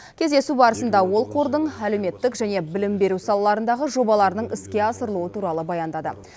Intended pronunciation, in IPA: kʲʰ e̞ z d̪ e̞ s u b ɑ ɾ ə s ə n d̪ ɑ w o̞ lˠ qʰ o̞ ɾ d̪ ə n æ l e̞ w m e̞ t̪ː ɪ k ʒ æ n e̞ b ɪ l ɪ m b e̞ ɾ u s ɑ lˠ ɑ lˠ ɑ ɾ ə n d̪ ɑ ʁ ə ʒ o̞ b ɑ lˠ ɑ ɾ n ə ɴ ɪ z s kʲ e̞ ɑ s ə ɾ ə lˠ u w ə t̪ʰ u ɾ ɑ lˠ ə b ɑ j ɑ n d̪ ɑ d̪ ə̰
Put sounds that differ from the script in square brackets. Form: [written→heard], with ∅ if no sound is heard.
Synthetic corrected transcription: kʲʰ e̞ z d̪ e̞ s u b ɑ ɾ ə s ə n d̪ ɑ w o̞ lˠ qʰ o̞ ɾ d̪ ə [n→ɴ] æ l e̞ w m e̞ t̪ː ɪ k ʒ æ n e̞ b ɪ l ɪ m b e̞ ɾ u s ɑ lˠ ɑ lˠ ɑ ɾ ə n d̪ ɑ ʁ ə ʒ o̞ b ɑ lˠ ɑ ɾ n ə ɴ ɪ [z→∅] s kʲ e̞ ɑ s ə ɾ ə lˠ u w ə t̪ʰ u ɾ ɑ lˠ ə b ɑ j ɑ n d̪ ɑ d̪ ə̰